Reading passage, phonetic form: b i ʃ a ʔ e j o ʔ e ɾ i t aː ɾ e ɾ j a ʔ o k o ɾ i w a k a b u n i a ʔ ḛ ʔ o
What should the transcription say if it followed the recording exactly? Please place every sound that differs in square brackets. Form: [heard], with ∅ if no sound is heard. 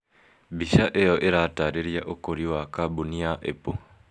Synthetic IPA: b i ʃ a ʔ e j o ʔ e ɾ [a] t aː ɾ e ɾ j a ʔ o k o ɾ i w a k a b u n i a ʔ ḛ [p] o